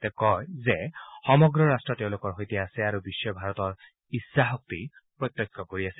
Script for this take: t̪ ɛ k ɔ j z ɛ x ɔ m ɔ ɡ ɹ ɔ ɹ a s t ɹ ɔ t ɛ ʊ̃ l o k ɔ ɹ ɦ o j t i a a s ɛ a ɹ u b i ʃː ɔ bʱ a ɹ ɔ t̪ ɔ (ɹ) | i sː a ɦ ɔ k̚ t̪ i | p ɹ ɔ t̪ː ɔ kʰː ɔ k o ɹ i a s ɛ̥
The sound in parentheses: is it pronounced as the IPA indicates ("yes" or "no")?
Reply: yes